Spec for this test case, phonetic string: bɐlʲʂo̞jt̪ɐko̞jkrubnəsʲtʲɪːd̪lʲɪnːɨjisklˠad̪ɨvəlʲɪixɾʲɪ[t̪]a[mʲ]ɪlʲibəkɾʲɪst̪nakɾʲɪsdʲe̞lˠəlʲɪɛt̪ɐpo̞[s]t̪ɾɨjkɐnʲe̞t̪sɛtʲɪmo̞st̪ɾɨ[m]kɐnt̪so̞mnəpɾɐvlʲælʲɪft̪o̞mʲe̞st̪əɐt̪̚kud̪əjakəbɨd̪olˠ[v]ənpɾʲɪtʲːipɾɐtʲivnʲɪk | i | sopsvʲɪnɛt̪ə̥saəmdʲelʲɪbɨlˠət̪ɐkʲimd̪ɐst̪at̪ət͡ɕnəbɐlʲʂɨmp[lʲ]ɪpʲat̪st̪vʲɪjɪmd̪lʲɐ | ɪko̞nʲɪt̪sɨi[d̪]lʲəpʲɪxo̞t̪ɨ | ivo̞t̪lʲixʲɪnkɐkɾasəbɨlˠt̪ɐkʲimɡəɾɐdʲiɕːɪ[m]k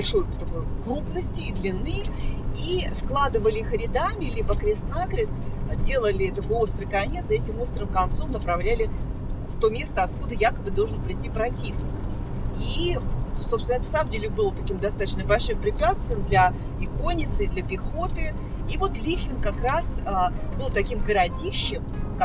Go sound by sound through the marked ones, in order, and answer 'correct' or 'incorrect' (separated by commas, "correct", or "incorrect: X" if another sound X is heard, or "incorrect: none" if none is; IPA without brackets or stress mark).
incorrect: d̪, correct, correct, correct, incorrect: ʐ, incorrect: ɾʲ, correct, correct